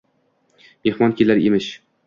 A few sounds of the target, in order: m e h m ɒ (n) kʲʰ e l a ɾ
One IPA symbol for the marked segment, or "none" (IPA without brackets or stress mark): n